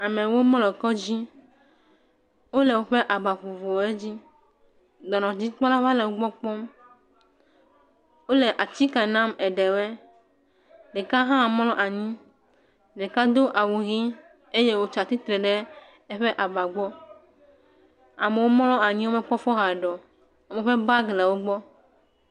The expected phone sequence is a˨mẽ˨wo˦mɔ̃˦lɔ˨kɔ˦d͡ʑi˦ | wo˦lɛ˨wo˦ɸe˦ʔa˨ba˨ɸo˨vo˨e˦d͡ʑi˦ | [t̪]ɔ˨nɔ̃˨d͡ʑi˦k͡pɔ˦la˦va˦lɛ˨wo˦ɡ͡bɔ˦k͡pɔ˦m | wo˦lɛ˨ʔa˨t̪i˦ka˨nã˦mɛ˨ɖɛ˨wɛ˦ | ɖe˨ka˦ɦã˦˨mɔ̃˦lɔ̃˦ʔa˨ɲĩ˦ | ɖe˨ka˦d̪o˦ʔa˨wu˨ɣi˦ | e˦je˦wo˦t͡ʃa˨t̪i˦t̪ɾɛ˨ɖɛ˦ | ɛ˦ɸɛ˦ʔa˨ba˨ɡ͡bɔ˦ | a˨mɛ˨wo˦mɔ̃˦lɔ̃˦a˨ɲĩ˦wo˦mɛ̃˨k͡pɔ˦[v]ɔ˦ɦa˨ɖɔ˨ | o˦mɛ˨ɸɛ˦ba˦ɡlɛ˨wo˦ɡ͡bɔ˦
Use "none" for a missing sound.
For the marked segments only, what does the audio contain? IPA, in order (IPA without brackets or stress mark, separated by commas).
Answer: d̪, f